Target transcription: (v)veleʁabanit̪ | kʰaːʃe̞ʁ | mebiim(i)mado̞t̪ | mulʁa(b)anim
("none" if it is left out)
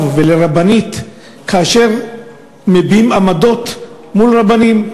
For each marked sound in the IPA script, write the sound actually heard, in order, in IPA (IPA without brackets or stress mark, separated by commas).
v, a, b